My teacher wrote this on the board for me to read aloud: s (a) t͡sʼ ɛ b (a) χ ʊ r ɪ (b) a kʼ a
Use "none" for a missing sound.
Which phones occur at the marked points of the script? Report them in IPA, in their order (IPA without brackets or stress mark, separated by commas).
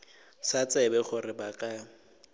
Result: a, ɛ, b